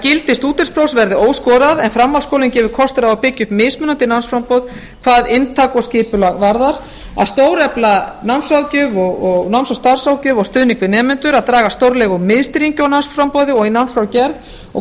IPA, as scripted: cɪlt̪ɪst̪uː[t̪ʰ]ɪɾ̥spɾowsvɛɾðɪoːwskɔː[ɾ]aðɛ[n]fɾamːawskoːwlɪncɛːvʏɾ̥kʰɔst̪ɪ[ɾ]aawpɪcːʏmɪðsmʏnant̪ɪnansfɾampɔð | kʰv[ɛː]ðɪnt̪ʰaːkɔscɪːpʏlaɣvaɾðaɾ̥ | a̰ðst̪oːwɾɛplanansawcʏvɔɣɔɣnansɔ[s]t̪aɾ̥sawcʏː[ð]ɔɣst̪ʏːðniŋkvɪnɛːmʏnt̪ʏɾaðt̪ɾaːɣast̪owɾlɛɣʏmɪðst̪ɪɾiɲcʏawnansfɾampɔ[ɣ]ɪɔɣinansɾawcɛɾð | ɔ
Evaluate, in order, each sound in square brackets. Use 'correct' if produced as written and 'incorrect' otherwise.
incorrect, correct, correct, correct, incorrect, correct, incorrect, incorrect

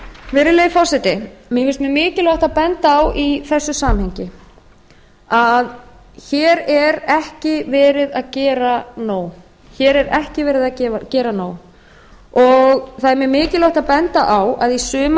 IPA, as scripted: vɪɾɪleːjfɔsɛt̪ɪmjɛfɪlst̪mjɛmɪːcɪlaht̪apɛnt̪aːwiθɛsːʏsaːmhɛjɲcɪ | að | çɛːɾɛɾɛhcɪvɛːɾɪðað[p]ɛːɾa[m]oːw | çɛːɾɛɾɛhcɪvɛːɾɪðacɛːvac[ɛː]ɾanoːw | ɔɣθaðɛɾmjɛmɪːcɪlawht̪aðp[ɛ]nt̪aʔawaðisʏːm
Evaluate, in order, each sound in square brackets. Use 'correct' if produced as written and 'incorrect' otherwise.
incorrect, incorrect, correct, correct

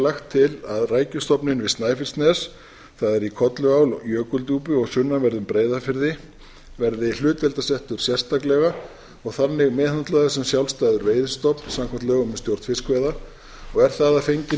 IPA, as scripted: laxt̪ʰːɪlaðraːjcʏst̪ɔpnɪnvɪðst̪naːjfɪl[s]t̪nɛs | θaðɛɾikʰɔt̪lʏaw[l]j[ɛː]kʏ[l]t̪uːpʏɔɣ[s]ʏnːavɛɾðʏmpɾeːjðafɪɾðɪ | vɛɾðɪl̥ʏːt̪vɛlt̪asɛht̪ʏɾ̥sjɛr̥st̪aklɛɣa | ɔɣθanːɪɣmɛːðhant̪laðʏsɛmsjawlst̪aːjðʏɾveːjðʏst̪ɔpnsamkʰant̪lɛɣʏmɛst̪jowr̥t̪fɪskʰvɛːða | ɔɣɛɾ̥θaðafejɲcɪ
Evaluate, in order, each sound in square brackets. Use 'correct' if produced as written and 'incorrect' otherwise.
correct, correct, incorrect, correct, correct

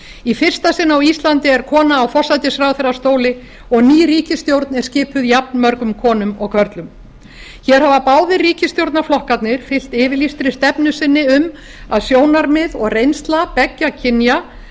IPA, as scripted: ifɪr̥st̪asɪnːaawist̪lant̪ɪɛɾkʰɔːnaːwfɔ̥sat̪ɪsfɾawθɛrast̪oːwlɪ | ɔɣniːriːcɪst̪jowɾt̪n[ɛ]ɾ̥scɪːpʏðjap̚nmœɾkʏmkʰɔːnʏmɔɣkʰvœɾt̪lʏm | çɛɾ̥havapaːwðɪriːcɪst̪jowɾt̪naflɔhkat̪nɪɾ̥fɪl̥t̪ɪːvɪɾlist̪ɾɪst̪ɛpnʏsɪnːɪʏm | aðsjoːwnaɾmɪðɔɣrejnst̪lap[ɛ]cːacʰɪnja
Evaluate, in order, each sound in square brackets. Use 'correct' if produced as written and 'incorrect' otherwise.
correct, correct

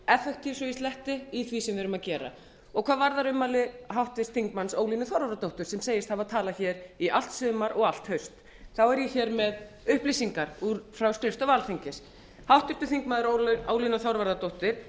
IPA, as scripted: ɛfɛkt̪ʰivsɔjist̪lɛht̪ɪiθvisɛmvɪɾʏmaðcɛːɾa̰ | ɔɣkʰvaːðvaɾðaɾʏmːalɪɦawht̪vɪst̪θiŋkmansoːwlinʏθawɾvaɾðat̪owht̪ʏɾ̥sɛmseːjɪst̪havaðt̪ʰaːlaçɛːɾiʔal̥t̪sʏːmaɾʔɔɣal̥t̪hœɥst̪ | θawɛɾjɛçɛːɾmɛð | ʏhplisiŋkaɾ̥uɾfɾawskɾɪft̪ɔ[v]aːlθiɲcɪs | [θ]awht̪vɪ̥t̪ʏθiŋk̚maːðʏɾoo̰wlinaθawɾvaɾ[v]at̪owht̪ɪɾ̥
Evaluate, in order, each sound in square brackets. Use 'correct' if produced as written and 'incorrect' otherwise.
correct, incorrect, incorrect

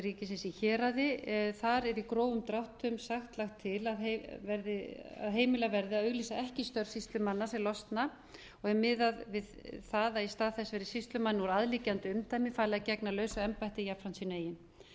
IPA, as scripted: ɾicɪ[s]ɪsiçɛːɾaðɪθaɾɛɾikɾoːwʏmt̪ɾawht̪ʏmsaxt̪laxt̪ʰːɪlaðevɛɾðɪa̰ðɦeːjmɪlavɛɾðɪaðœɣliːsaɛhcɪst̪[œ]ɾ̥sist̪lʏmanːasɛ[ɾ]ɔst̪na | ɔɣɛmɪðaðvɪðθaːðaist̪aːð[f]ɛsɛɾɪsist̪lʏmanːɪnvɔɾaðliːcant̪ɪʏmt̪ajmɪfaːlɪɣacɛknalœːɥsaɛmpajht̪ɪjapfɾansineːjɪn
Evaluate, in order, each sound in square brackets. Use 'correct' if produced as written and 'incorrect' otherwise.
correct, correct, incorrect, incorrect

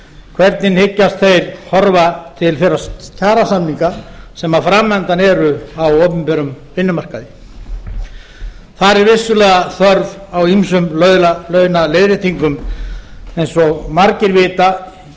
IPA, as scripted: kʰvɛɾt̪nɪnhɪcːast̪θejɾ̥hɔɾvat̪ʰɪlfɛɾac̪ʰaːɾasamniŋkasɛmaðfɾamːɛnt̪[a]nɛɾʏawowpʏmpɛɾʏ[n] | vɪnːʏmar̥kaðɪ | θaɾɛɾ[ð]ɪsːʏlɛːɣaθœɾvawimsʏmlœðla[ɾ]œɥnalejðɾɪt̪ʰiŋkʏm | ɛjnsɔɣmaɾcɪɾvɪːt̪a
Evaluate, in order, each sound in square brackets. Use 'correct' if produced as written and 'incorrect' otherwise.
correct, incorrect, incorrect, incorrect

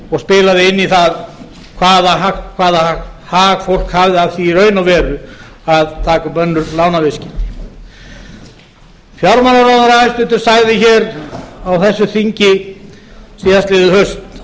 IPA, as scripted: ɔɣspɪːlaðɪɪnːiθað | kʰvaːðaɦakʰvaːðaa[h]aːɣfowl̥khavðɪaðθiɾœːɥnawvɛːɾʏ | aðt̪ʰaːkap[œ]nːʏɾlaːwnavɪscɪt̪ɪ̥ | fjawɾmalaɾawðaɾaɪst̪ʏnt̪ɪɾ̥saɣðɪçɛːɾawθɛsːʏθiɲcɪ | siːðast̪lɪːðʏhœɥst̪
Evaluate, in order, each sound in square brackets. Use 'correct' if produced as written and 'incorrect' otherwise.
correct, correct

